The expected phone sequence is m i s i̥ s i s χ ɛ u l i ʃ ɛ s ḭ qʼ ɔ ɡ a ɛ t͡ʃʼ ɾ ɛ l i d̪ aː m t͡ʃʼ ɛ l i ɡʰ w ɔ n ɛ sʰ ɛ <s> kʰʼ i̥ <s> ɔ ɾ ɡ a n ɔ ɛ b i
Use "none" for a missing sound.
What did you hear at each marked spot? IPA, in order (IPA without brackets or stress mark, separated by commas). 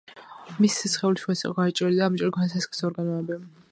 s, s